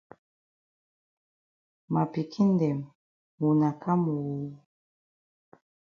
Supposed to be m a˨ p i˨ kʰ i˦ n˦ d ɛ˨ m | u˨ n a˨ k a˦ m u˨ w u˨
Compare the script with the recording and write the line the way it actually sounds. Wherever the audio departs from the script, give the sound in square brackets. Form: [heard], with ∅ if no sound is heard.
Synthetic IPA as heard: m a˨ p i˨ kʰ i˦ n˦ d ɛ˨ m | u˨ n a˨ k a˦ m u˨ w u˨

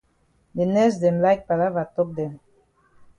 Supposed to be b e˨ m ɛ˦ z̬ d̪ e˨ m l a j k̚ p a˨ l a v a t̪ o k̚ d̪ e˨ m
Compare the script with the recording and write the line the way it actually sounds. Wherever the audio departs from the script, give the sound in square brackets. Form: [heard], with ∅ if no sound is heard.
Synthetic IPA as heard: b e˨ [n] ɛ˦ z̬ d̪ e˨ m l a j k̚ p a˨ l a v a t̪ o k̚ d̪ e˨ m

